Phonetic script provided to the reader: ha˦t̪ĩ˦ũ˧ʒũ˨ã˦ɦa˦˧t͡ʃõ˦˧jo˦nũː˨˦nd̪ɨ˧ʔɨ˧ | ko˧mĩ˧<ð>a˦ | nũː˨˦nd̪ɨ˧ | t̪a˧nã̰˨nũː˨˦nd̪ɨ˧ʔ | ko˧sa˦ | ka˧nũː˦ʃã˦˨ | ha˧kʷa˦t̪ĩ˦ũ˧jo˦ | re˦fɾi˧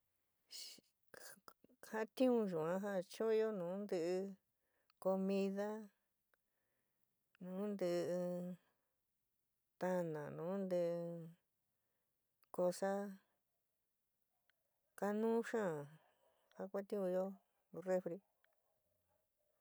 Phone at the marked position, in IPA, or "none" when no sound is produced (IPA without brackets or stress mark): ð